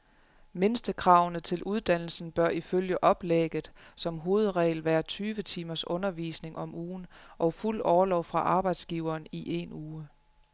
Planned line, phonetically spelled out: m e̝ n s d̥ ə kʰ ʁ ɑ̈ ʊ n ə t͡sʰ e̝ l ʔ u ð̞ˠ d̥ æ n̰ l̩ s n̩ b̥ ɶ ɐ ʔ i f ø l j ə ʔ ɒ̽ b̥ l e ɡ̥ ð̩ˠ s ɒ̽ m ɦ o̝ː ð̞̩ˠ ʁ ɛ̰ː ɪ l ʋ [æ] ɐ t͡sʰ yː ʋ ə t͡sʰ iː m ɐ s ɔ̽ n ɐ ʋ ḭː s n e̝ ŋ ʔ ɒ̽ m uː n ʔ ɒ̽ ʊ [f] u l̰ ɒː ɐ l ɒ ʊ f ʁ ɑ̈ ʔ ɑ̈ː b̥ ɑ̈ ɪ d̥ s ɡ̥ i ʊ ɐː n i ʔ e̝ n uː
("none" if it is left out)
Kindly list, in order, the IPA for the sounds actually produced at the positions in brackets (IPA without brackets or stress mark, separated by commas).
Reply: æː, f